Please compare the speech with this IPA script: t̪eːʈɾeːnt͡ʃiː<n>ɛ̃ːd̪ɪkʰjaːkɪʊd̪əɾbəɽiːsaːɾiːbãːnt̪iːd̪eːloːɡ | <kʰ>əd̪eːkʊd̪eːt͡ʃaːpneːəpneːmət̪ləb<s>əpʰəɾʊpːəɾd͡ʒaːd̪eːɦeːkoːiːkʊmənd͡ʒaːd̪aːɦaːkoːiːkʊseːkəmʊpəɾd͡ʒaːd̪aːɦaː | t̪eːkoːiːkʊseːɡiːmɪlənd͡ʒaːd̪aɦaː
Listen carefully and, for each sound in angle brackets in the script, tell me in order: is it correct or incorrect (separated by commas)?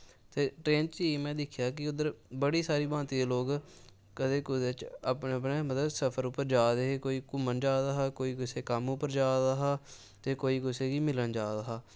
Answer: incorrect, incorrect, correct